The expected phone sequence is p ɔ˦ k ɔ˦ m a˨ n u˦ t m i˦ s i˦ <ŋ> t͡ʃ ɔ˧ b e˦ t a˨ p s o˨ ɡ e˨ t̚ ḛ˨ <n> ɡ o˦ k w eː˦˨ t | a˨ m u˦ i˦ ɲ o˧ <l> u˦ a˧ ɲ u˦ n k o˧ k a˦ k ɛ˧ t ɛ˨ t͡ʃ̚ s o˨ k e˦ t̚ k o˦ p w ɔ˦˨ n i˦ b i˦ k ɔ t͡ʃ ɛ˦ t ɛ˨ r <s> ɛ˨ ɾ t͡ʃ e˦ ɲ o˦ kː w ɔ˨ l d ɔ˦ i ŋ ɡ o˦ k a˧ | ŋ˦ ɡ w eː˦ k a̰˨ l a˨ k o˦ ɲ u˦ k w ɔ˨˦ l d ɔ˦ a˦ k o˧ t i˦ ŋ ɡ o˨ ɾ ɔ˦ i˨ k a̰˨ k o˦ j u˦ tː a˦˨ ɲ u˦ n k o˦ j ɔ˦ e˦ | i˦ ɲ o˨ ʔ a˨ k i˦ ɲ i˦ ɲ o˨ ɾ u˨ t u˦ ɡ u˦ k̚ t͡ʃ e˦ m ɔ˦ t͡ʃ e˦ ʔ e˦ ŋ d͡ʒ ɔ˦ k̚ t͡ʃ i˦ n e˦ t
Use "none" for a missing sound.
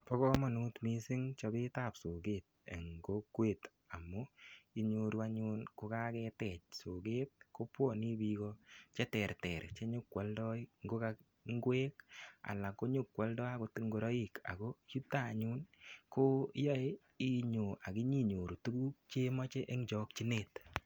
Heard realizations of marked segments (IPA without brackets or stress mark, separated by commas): ŋ, ŋ, ɾ, t